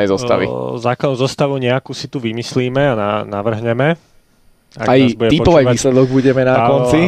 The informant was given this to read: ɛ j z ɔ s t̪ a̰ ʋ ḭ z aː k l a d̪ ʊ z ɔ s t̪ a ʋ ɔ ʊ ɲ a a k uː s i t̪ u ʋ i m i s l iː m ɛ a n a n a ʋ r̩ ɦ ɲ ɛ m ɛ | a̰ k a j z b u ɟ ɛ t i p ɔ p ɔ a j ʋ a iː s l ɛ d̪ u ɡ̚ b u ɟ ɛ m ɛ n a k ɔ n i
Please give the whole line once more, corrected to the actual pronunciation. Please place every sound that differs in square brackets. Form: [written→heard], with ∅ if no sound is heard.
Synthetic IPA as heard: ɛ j z ɔ s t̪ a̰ ʋ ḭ z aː k l a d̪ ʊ z ɔ s t̪ a ʋ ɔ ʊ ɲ [a→ɛ] a k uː s i t̪ u ʋ i m i s l iː m ɛ a n a n a ʋ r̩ ɦ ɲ ɛ m ɛ | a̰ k a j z b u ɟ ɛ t i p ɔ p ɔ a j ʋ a iː s l ɛ d̪ [u→ɔ] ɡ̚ b u ɟ ɛ m ɛ n a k ɔ n i